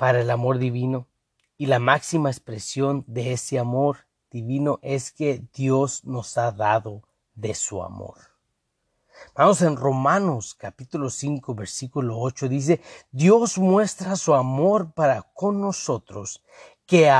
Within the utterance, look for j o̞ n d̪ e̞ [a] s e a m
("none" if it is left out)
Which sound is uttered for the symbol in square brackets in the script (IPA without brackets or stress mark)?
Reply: e